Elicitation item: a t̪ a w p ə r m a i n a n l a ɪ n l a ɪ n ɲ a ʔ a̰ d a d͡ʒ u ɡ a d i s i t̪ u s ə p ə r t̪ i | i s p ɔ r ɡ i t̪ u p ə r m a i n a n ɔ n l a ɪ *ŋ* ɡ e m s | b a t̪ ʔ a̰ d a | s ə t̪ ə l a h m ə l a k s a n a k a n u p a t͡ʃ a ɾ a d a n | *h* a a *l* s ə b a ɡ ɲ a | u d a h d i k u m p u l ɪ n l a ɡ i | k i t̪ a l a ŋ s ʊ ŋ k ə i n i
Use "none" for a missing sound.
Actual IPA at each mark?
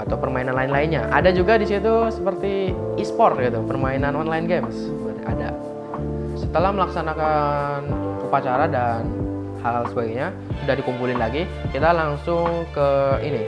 n, h, l

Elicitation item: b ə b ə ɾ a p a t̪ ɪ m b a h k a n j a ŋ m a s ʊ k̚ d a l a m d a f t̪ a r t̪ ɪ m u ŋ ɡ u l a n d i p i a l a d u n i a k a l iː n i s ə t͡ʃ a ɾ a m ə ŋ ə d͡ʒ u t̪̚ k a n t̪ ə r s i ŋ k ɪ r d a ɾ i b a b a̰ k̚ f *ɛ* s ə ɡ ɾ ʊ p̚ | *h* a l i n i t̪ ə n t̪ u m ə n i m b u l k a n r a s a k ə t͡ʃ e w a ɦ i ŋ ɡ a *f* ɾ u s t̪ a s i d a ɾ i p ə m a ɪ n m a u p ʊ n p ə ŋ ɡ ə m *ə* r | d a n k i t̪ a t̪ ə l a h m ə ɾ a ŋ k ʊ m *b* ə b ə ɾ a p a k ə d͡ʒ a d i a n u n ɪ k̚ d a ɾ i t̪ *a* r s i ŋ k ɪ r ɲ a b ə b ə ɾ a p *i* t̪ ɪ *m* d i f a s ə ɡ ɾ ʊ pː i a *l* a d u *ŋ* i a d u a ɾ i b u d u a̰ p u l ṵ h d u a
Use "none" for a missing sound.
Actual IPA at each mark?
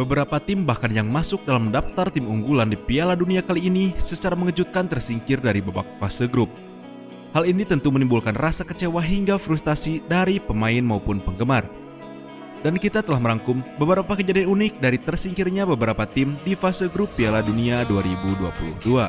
a, h, f, a, b, ə, a, m, l, n

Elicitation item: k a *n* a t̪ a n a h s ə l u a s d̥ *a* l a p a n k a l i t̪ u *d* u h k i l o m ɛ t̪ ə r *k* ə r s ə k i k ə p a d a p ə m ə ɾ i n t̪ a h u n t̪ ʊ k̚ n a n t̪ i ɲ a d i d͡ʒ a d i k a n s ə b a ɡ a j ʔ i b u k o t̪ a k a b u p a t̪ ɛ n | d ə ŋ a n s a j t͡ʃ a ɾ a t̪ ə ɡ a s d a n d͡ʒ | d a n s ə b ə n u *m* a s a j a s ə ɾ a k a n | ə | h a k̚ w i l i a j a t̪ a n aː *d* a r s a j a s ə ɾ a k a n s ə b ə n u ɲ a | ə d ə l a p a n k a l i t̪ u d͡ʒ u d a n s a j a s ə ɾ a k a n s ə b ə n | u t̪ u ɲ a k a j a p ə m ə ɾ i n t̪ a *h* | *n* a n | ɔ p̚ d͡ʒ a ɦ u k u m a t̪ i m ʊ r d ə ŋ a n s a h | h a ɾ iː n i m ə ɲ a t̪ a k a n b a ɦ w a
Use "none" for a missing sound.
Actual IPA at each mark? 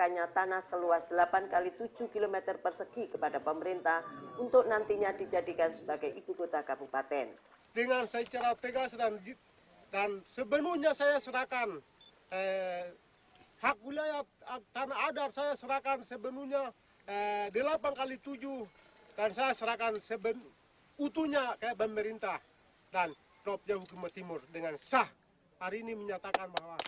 ɲ, ə, d͡ʒ, p, ɲ, d, h, d

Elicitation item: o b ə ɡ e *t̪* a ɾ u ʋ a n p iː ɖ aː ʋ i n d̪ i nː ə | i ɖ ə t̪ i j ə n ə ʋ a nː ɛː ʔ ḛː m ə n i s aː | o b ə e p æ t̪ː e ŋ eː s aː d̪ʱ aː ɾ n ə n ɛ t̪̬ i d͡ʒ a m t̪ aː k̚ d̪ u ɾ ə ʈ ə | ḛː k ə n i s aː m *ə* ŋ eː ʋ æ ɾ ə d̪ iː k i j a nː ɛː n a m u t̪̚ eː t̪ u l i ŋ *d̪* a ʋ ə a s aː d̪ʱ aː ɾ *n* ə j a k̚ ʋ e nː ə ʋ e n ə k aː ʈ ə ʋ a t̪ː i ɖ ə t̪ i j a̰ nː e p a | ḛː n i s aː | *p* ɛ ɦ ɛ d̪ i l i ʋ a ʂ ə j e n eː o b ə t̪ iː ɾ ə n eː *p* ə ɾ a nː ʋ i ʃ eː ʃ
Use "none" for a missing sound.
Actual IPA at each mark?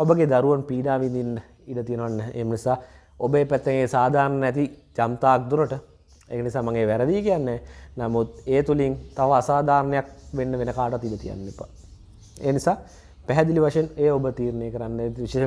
d̪, a, t̪, n, p, k

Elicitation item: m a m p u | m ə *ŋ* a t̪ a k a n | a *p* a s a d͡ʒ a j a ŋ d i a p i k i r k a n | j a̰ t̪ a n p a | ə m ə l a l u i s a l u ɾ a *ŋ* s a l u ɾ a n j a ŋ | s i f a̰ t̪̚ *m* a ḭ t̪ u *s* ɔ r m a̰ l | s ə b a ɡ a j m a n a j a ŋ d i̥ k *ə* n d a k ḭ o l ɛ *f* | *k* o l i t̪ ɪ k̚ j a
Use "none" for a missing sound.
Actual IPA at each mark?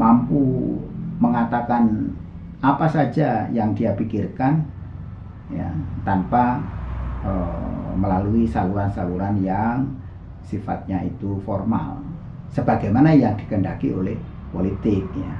ŋ, p, n, ɲ, f, ə, h, p

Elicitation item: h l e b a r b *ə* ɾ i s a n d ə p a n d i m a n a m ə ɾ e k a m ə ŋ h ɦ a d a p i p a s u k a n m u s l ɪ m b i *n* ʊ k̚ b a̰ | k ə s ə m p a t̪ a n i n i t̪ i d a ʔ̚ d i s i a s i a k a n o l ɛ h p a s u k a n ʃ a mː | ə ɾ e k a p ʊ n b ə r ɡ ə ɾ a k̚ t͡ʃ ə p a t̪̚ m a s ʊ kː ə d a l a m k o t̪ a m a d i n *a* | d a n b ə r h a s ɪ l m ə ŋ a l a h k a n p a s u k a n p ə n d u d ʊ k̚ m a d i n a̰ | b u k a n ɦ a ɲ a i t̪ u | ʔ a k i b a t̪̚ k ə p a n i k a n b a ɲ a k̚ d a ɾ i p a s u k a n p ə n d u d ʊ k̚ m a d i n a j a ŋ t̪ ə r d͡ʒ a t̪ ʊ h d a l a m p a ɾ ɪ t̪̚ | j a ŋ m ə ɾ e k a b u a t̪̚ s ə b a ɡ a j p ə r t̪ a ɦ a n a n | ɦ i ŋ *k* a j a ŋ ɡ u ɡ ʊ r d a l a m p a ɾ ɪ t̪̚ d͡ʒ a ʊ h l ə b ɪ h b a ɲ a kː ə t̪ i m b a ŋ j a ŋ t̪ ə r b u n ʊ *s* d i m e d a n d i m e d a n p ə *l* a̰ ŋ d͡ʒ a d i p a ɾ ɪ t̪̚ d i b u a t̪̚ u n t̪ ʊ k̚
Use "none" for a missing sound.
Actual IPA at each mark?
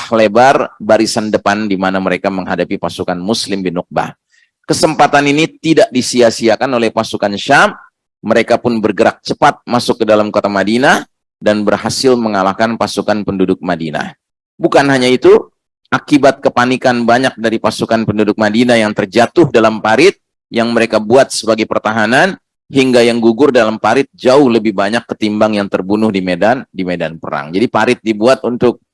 a, n, a, ɡ, h, ɾ

